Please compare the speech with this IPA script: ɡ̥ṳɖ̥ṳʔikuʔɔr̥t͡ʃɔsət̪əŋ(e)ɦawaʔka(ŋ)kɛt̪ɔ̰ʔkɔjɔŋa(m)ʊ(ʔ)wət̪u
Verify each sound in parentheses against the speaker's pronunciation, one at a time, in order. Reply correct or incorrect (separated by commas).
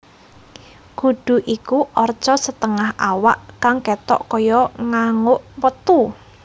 incorrect, correct, incorrect, correct